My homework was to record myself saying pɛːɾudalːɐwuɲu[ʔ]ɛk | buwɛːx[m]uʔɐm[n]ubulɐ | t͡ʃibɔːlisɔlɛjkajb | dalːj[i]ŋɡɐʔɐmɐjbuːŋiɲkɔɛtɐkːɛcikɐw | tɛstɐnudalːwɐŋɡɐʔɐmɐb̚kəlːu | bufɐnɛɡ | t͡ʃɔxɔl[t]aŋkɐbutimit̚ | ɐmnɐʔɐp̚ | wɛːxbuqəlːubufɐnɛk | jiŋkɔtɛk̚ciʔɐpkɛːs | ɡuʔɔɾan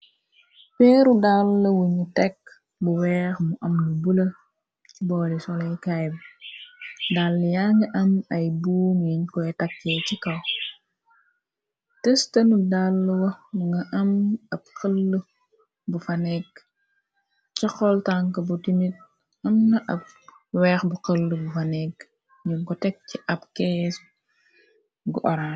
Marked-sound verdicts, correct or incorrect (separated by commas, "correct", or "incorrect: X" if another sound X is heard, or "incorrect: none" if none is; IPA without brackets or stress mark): incorrect: t, correct, correct, incorrect: a, correct